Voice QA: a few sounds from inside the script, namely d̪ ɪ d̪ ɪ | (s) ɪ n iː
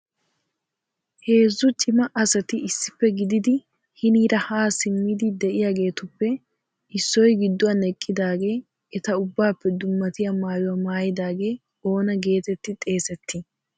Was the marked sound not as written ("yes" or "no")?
yes